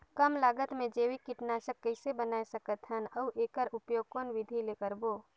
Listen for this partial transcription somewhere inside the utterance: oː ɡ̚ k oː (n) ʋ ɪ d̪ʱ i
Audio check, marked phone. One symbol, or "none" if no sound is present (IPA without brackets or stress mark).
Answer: n